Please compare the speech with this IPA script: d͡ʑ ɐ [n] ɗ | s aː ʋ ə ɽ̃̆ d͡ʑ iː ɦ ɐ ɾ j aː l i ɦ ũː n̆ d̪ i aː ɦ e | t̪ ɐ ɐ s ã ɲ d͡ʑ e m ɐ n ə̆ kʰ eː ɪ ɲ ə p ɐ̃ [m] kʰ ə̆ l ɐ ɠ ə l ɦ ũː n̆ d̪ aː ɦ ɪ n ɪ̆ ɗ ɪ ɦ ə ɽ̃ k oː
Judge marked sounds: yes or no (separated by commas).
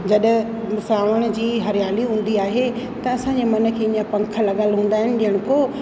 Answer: no, no